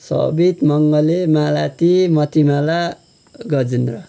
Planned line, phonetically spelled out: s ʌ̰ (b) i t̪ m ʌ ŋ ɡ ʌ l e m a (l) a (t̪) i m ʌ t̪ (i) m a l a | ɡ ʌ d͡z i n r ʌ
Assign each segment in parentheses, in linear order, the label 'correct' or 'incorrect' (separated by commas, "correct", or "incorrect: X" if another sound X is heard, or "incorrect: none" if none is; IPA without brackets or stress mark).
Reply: correct, correct, correct, correct